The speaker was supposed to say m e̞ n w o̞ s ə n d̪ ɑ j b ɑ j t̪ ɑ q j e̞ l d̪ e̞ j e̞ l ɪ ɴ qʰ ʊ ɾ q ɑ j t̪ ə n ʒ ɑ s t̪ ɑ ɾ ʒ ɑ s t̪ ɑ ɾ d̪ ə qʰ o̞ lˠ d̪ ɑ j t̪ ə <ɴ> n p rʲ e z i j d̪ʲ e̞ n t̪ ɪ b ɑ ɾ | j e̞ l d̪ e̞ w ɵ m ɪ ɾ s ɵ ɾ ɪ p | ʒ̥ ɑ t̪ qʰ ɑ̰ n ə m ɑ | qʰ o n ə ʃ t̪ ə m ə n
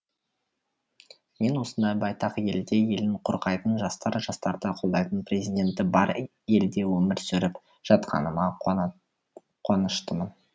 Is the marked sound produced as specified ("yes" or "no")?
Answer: no